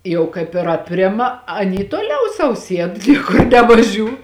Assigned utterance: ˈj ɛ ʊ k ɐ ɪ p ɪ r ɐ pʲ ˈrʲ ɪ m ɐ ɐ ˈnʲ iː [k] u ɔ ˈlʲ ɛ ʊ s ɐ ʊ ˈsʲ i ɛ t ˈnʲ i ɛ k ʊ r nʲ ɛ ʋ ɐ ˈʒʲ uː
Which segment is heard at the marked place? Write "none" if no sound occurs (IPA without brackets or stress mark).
t